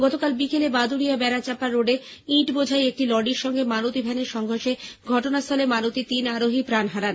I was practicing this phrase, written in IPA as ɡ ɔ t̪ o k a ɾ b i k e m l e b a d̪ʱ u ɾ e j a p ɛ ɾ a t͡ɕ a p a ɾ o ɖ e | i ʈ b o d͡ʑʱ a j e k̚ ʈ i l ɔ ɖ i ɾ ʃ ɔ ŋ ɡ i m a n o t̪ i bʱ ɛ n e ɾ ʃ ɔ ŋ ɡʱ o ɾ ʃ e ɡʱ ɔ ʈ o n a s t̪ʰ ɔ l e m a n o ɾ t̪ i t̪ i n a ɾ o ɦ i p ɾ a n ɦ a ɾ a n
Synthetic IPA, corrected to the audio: ɡ ɔ t̪ o k a l b i k e l e b a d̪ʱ u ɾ i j a b ɛ ɾ a t͡ɕ a p a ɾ o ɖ e | i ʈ b o d͡ʑʱ a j e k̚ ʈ i l ɔ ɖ i ɾ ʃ ɔ ŋ ɡ e m a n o t̪ i bʱ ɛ n e ɾ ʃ ɔ ŋ ɡʱ o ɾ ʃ e ɡʱ ɔ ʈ o n a s t̪ʰ ɔ l e m a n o t̪ i t̪ i n a ɾ o ɦ i p ɾ a n ɦ a ɾ a n

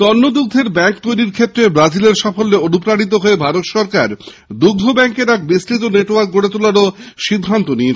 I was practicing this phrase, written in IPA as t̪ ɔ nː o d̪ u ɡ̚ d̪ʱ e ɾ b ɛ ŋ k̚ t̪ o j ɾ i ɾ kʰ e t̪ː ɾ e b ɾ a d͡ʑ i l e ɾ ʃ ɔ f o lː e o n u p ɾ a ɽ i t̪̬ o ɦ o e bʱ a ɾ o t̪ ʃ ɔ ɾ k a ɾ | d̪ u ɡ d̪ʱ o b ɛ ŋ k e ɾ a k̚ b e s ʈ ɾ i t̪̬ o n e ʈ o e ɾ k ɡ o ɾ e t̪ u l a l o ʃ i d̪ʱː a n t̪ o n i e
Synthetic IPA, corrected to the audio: t̪ ɔ nː o d̪ u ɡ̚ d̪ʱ e ɾ b ɛ ŋ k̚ t̪ o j ɾ i ɾ kʰ e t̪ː ɾ e b ɾ a d͡ʑ i l e ɾ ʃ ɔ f o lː e o n u p ɾ a ɽ i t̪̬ o ɦ o e bʱ a ɾ o t̪ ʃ ɔ ɾ k a ɾ | d̪ u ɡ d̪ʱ o b ɛ ŋ k e ɾ a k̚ b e s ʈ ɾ i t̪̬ o n e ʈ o a ɾ k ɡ o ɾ e t̪ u l a ɾ o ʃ i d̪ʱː a n t̪ o n i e

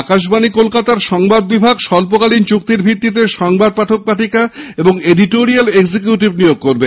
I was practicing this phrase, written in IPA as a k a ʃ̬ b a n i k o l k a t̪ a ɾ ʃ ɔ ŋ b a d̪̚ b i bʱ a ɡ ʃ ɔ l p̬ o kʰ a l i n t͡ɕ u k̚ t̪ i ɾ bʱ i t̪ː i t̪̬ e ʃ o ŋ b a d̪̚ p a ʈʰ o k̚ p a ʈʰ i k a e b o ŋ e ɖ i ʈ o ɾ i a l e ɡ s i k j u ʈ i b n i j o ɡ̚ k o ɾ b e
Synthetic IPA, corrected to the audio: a k a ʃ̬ b a n i k o l k a t̪ a ɾ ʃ ɔ ŋ b a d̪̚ b i bʱ a ɡ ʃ ɔ l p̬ o k a l i n t͡ɕ u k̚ t̪ i ɾ bʱ i t̪ː i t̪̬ e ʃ ɔ ŋ b a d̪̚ p a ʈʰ o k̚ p a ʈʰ i k a e b o ŋ e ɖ i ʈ o ɾ i a l e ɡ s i k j u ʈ i b n i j o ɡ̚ k o ɾ b e

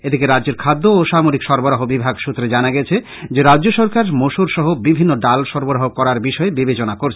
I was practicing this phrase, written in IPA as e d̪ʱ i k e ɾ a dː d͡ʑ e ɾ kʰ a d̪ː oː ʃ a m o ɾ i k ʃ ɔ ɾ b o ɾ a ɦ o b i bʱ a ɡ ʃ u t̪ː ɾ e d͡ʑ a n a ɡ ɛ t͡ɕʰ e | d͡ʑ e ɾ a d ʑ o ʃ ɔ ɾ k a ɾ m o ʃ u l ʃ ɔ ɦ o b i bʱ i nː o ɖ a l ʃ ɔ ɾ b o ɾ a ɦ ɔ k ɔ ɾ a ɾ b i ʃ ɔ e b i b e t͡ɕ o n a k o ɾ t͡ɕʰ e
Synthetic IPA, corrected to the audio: e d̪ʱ i k e ɾ a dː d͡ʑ e ɾ kʰ a d̪ː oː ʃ a m o ɾ i k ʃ ɔ ɾ b o ɾ a ɦ o b i bʱ a ɡ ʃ u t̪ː ɾ e d͡ʑ a n a ɡ ɛ t͡ɕʰ e | d͡ʑ e ɾ a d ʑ o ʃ ɔ ɾ k a ɾ m o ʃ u ɾ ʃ ɔ ɦ o b i bʱ i nː o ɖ a l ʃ ɔ ɾ b o ɾ a ɦ o k ɔ ɾ a ɾ b i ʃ ɔ e b i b e t͡ɕ o n a k o ɾ t͡ɕʰ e

